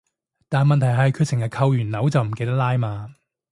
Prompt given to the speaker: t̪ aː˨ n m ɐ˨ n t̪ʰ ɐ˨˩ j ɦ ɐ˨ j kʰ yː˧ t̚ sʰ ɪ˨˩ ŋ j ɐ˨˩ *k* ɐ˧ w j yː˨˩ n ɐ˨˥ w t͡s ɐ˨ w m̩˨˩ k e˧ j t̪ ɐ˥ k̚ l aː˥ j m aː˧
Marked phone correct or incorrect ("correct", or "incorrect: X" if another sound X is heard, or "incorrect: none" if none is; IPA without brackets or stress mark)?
incorrect: kʰ